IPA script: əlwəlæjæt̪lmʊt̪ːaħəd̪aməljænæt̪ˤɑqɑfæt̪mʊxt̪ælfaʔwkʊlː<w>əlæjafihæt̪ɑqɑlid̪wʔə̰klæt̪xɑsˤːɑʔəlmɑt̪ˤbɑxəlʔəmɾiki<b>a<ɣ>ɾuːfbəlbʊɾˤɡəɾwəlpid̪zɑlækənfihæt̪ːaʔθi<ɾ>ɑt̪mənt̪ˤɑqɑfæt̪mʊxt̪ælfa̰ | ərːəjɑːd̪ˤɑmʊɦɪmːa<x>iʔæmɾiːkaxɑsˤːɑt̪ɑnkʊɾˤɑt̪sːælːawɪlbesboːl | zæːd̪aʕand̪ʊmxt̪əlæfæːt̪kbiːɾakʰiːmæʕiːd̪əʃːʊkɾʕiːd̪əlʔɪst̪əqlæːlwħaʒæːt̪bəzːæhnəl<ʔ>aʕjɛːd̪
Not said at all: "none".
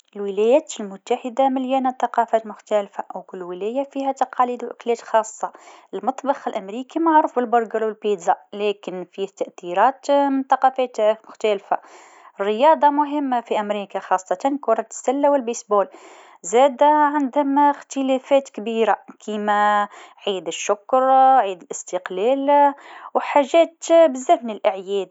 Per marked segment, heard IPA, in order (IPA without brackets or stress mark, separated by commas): w, m, ʕ, ɾ, f, ʔ